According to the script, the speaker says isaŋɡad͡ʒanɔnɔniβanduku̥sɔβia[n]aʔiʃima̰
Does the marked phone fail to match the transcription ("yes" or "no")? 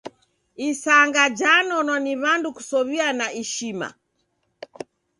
no